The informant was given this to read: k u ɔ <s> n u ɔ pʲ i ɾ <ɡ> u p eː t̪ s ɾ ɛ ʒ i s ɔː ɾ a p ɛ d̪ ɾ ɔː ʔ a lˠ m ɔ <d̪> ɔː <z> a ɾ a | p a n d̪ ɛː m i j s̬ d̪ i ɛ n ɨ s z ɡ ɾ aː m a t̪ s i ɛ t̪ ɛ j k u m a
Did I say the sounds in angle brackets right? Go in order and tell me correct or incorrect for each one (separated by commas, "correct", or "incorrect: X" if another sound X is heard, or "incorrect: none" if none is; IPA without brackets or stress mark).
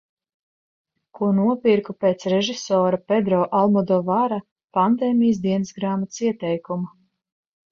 incorrect: none, incorrect: k, correct, incorrect: v